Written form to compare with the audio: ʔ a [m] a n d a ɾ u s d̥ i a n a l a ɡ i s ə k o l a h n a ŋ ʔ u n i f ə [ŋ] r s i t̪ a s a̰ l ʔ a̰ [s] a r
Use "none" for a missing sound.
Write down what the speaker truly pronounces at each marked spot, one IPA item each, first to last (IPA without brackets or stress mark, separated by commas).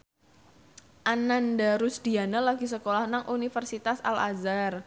n, none, z